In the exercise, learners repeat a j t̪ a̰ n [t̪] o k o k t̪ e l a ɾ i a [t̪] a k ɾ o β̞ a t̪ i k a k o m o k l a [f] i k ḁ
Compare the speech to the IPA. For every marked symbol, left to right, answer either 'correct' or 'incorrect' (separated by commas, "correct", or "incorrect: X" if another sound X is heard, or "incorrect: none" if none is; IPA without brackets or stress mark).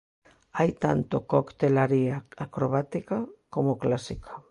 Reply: correct, incorrect: none, incorrect: s